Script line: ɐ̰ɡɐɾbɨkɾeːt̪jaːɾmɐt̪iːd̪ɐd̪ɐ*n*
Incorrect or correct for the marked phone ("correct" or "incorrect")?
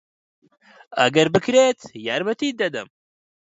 incorrect